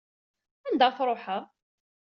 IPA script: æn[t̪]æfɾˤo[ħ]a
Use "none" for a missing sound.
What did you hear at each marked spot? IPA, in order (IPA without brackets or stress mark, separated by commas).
d̪, ħ